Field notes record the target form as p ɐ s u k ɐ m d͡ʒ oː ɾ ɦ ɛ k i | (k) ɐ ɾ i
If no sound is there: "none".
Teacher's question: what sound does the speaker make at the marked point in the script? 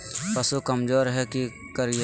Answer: k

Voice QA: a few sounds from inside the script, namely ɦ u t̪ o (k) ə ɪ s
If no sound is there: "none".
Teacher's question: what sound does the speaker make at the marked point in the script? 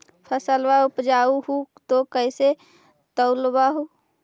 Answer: k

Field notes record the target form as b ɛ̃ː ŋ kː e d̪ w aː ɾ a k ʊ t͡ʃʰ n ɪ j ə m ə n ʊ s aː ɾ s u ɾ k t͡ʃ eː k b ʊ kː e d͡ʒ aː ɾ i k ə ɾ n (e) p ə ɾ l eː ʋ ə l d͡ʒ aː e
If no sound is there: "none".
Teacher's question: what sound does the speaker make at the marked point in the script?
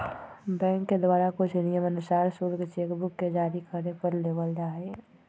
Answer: e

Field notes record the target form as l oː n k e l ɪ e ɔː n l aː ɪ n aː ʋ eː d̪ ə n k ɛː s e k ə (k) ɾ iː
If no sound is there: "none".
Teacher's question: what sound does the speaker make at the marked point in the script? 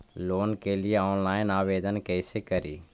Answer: none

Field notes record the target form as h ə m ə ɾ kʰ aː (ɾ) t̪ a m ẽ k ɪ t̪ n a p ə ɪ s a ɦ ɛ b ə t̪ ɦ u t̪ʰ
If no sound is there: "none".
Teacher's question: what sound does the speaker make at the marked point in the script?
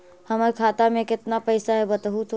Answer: none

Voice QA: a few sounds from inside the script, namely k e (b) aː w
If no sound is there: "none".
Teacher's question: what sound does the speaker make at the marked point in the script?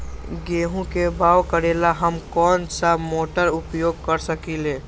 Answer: b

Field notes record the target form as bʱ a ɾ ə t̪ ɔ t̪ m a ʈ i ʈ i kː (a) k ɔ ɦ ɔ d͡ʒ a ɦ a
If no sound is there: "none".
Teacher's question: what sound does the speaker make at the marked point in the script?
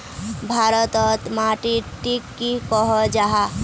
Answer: i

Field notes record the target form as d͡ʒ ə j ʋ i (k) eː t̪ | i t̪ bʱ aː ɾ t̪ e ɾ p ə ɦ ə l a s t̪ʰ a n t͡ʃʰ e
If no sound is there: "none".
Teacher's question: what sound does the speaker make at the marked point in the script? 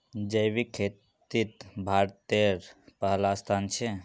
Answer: kʰ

